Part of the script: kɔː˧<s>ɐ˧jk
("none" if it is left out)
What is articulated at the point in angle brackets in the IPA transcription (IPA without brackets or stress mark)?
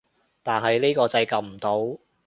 t͡s